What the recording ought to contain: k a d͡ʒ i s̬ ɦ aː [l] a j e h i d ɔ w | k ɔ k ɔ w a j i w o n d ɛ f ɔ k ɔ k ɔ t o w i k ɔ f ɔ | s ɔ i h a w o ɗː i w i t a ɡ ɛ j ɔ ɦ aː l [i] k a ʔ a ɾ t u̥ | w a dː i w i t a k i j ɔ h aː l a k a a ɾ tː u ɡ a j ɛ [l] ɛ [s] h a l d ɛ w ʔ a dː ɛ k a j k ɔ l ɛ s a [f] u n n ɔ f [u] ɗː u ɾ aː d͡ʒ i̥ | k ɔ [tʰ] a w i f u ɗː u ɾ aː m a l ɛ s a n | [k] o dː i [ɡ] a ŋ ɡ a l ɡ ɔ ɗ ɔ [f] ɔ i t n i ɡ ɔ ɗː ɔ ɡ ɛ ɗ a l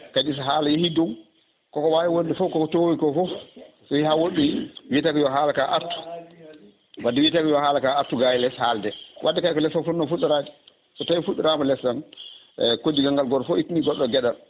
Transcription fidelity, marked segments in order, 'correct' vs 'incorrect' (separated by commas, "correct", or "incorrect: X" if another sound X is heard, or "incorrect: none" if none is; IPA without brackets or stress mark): correct, incorrect: a, correct, correct, correct, correct, incorrect: t, correct, correct, correct